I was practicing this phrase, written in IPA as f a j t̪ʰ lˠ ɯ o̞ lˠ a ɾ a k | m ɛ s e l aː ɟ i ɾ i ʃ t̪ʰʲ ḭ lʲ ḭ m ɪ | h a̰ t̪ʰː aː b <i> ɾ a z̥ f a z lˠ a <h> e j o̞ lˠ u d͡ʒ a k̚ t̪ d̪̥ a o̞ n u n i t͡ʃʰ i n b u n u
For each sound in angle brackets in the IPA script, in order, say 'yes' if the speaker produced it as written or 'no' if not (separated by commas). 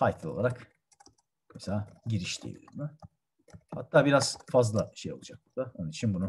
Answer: yes, no